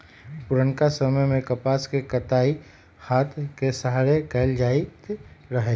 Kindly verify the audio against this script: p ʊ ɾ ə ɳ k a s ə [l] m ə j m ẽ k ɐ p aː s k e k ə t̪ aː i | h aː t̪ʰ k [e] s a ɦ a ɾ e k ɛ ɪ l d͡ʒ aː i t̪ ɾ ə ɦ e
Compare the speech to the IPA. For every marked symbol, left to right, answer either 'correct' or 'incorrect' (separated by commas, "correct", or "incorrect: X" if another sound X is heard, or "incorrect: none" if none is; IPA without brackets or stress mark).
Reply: incorrect: none, correct